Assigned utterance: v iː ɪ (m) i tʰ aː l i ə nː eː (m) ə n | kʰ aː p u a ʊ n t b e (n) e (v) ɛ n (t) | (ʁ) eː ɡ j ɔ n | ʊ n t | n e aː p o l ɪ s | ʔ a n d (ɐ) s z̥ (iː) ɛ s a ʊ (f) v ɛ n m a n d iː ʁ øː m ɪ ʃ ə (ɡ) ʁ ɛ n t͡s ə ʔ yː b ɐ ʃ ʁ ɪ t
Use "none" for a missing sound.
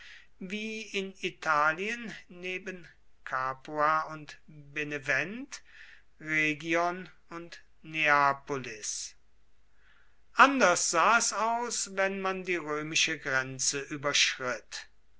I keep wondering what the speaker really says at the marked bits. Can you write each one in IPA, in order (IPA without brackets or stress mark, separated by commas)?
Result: n, b, n, v, t, ʁ, ɐ, aː, s, ɡ